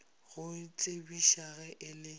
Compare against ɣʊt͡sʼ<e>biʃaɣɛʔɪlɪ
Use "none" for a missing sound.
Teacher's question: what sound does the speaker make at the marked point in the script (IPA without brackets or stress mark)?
e